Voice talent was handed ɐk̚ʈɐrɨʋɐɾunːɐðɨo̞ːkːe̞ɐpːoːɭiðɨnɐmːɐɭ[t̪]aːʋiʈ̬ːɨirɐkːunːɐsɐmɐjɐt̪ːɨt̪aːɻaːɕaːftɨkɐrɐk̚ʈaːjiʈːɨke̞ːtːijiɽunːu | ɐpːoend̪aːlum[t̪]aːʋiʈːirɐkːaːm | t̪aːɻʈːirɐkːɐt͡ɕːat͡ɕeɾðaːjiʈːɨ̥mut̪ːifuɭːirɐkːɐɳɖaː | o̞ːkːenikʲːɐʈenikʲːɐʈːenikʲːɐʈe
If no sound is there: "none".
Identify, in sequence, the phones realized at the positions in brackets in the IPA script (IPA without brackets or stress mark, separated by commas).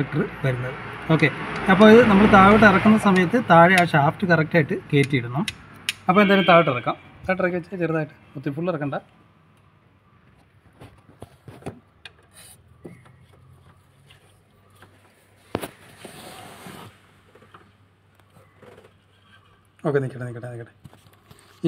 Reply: t̪, t̪